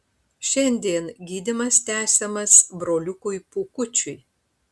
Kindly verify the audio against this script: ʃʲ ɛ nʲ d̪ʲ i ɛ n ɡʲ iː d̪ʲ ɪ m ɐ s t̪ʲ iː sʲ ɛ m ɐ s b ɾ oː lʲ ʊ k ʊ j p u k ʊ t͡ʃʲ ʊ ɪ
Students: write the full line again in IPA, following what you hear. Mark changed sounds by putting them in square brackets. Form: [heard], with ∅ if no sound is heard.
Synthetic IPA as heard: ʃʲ ɛ nʲ d̪ʲ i ɛ n ɡʲ iː d̪ʲ ɪ m ɐ s t̪ʲ [æː] sʲ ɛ m ɐ s b ɾ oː lʲ ʊ k ʊ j p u k ʊ t͡ʃʲ ʊ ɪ